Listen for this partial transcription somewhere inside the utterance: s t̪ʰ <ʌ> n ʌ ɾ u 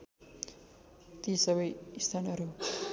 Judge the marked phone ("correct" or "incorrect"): incorrect